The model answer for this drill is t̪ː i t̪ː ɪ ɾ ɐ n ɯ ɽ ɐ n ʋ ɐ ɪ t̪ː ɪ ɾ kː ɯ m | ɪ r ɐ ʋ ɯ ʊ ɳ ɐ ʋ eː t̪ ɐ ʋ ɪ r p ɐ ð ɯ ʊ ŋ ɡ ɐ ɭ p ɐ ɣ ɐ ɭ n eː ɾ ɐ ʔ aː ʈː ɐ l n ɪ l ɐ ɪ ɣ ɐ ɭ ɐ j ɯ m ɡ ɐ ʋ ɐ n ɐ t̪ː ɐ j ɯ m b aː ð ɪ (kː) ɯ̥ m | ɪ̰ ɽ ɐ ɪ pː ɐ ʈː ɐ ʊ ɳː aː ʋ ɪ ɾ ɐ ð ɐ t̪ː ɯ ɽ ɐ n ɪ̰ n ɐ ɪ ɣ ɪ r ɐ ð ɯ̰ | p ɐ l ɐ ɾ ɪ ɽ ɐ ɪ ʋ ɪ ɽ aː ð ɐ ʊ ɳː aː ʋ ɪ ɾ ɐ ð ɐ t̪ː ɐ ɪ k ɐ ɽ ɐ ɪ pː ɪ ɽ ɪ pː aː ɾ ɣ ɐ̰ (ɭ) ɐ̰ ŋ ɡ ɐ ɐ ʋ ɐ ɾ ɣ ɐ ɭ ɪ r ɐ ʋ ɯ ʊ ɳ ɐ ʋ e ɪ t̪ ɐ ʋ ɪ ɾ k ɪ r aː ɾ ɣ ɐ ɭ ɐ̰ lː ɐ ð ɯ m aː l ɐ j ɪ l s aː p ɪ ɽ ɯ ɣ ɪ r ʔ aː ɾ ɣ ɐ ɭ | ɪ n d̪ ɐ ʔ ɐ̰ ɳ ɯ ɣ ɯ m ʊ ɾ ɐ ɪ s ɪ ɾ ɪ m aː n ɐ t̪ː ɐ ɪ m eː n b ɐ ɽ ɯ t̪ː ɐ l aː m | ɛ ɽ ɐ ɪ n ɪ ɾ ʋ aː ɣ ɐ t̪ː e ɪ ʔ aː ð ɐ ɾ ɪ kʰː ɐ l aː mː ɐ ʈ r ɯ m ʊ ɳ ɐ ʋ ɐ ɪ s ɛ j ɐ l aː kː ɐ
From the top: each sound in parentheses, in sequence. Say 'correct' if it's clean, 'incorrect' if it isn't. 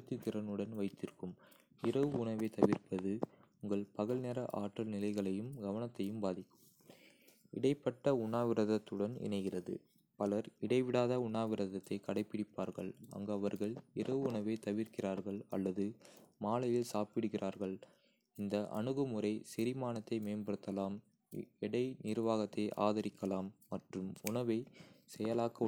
correct, correct

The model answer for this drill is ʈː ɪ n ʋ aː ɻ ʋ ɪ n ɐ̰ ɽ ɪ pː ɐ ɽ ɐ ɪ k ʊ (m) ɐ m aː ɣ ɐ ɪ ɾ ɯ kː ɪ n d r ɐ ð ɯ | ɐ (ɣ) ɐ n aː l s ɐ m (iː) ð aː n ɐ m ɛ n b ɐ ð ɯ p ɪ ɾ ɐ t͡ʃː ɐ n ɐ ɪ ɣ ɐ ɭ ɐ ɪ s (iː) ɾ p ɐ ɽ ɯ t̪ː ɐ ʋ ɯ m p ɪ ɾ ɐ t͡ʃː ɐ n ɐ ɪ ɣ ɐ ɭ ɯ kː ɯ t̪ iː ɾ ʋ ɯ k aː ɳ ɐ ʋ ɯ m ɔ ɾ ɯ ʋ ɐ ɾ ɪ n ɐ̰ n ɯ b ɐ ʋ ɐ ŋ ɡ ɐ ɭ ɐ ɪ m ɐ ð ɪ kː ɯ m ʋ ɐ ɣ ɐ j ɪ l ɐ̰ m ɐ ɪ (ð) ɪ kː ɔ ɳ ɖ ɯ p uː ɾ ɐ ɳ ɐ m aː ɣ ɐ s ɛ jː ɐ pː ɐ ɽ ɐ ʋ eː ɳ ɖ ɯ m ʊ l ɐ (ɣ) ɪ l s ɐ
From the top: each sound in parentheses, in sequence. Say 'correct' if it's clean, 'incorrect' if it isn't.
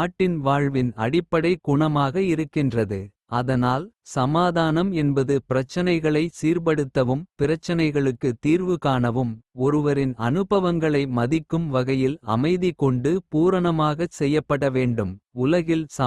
incorrect, incorrect, incorrect, correct, correct, correct

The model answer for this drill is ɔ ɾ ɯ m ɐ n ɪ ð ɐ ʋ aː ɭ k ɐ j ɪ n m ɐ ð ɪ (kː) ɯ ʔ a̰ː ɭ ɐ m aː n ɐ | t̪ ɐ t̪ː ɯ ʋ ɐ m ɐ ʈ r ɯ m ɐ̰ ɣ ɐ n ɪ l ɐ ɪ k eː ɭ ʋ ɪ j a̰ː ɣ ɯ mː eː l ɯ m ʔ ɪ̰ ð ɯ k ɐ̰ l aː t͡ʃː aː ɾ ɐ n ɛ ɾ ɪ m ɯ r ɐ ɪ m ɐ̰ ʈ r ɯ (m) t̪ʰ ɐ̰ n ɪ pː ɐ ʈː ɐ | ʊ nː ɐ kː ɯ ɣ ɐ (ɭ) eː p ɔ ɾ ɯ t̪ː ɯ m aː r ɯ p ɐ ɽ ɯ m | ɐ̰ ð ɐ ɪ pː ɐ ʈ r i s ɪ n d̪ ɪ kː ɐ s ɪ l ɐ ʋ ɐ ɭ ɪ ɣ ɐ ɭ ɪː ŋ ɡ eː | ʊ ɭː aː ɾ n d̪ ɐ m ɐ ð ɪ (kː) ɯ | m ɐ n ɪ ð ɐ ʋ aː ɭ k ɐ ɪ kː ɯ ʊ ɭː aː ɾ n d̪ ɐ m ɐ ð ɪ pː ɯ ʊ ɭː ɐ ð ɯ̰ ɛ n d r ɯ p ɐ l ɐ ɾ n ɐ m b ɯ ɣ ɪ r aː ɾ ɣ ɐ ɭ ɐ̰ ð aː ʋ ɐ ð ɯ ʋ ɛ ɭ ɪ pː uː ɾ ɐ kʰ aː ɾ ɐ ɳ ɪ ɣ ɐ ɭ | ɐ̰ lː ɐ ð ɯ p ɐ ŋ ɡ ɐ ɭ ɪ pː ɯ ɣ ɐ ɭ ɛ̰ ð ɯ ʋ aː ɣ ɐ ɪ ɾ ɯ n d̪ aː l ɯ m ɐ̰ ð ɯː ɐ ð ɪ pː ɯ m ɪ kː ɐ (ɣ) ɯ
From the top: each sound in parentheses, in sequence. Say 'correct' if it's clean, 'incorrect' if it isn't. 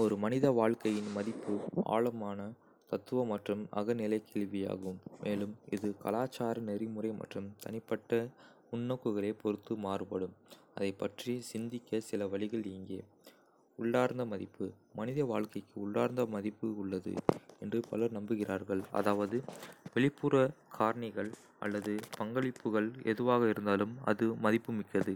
incorrect, correct, correct, incorrect, incorrect

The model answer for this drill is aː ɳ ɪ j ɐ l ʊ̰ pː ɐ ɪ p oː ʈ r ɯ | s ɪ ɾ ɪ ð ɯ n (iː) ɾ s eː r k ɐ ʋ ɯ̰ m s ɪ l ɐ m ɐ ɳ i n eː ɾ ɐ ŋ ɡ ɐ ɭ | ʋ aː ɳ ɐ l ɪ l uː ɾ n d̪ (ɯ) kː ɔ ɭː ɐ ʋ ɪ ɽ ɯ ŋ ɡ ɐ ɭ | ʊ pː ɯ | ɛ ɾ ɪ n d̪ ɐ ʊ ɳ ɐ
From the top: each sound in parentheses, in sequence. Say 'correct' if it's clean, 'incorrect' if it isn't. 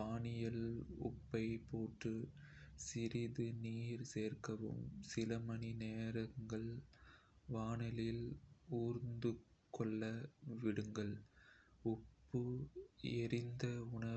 correct, correct

